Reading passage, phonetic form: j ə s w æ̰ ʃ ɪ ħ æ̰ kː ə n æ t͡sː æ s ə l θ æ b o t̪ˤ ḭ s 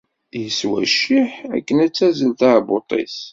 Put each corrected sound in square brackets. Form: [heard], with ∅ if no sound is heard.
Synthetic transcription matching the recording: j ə s w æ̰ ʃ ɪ ħ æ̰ kː ə n æ t͡sː æ [z] ə l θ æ b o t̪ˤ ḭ s